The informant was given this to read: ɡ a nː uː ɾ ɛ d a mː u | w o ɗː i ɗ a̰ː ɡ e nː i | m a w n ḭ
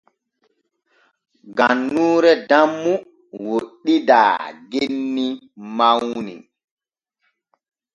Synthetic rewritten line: ɡ a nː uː ɾ ɛ d a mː u | w o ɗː i d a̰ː ɡ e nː i | m a w n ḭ